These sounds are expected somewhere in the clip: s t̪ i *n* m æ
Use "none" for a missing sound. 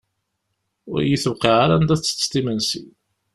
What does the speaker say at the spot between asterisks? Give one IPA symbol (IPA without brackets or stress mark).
none